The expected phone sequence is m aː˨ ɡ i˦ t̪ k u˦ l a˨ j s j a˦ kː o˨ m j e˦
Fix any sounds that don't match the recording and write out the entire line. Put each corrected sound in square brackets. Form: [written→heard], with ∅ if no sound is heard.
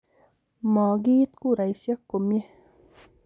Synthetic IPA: m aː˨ ɡ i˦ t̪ k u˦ [l→ɾ] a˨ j s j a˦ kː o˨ m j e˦